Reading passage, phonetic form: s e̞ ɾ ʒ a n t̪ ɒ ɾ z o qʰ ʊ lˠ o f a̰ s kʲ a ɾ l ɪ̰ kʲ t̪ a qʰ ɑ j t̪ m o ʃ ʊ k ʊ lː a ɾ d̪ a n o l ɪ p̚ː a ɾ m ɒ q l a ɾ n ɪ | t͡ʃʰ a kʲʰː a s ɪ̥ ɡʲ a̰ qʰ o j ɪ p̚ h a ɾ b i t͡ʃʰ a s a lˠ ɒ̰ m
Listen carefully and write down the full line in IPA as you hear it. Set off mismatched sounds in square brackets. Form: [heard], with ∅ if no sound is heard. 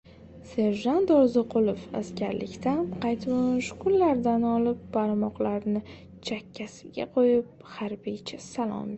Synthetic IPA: s e̞ ɾ ʒ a n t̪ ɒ ɾ z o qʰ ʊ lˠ o f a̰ s kʲ a ɾ l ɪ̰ kʲ t̪ a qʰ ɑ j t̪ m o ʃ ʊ k ʊ lː a ɾ d̪ a n [ɒ] l ɪ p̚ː a ɾ m ɒ q l a ɾ n ɪ | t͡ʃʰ a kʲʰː a s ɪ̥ ɡʲ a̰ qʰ o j ɪ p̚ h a ɾ b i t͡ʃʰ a s a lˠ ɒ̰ m